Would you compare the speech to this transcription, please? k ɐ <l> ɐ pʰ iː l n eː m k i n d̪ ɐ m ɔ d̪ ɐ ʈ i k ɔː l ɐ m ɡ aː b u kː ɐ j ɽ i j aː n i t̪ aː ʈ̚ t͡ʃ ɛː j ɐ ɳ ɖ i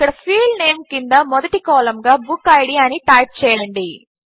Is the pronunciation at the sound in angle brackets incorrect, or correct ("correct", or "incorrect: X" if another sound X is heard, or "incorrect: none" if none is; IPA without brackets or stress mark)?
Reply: incorrect: ɽ